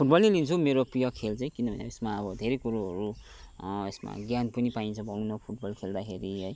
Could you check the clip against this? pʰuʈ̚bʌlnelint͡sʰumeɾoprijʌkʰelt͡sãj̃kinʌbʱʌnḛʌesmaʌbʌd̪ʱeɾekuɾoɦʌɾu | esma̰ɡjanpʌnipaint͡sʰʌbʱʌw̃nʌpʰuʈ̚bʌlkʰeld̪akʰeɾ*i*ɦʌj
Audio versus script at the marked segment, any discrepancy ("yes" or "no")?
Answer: no